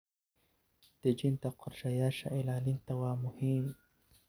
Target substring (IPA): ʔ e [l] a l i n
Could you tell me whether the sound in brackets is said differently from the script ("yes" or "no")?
no